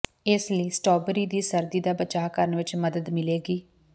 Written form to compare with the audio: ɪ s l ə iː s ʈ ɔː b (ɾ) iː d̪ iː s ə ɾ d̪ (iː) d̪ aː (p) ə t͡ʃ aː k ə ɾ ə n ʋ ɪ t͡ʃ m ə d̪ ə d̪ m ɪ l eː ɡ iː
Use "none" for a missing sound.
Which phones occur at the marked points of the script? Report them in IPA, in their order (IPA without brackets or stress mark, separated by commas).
ɾ, iː, b